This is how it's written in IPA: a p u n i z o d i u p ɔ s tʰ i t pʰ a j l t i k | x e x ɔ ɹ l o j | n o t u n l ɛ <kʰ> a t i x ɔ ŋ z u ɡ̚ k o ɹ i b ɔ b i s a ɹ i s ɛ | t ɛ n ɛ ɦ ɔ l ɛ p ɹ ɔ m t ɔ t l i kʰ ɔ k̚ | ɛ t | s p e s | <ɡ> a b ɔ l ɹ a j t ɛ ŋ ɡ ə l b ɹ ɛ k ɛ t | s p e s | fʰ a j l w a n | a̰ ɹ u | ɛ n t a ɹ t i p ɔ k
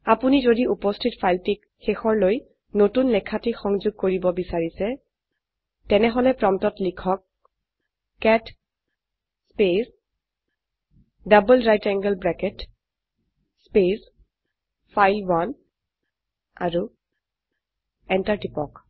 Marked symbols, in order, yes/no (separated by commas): yes, no